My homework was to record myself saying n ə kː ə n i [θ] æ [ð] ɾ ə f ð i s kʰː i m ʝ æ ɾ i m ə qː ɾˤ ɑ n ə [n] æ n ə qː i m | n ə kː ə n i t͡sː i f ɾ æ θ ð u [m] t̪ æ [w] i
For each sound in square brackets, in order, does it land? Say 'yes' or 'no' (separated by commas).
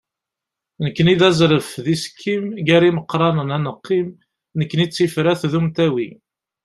no, no, yes, yes, yes